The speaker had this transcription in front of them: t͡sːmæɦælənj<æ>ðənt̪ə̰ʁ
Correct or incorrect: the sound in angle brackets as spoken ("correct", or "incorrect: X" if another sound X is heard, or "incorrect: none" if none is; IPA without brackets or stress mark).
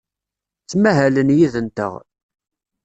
incorrect: i